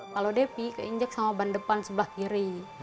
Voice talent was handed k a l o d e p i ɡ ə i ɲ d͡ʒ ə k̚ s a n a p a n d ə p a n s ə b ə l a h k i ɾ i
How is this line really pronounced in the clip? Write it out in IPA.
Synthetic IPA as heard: k a l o d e p i k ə i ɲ d͡ʒ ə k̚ s a m a b a n d ə p a n s ə b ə l a h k i ɾ i